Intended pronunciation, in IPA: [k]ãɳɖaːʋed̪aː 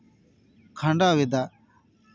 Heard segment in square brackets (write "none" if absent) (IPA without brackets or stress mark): kʰ